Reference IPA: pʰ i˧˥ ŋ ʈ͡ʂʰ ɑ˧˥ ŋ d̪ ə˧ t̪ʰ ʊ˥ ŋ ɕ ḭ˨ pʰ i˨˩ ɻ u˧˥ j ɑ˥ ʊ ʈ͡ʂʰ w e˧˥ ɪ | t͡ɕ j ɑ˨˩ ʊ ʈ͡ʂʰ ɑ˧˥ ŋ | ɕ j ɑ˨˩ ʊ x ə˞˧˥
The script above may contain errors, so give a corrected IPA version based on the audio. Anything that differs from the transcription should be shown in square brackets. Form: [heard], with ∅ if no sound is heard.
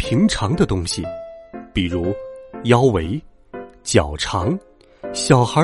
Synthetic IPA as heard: pʰ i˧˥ ŋ ʈ͡ʂʰ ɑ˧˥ ŋ d̪ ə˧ [t̪] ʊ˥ ŋ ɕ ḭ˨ [p] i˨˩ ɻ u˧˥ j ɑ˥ ʊ [∅] w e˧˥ ɪ | t͡ɕ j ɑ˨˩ ʊ ʈ͡ʂʰ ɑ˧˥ ŋ | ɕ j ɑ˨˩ ʊ x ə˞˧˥